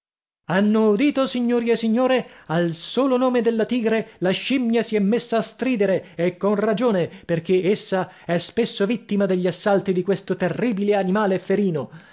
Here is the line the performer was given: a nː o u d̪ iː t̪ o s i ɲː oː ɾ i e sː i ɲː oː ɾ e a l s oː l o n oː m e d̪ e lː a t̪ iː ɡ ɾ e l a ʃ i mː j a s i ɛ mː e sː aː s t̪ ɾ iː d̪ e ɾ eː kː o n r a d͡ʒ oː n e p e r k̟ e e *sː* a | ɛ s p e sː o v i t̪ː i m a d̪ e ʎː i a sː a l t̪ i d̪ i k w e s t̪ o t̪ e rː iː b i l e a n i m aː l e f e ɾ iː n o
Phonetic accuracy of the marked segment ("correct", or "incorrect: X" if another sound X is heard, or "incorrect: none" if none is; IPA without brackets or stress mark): correct